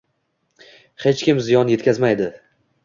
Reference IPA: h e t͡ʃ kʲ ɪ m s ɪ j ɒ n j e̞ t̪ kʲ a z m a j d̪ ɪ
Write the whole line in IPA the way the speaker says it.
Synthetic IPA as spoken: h e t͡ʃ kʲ ɪ m z ɪ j ɒ n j e̞ t̪ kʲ a z m a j d̪ ɪ